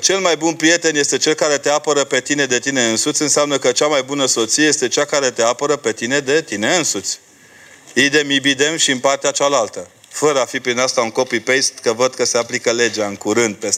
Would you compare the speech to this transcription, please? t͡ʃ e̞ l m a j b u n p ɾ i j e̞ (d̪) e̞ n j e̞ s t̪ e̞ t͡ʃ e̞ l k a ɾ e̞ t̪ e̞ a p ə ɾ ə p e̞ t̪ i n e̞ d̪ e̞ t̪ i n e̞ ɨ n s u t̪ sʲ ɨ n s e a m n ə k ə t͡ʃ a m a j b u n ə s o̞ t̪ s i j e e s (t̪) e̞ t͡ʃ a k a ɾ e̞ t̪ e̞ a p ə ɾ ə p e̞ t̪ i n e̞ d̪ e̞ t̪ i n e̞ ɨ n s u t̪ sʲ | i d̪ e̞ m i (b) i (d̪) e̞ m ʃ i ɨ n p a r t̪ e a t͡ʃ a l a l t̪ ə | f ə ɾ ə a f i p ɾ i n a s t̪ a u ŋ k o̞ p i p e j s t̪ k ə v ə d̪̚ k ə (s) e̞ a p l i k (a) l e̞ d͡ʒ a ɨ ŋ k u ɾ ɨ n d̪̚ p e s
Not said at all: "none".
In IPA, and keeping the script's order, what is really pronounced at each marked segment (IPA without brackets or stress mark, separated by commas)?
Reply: t̪, t̪, b, d̪, s, ə